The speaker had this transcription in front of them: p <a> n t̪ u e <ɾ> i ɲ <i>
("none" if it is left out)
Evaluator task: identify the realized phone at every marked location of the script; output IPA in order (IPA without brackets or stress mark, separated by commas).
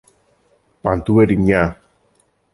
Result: a, ɾ, a